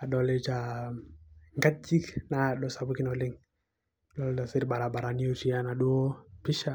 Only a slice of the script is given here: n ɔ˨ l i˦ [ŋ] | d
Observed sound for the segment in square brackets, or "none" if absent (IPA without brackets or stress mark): ŋ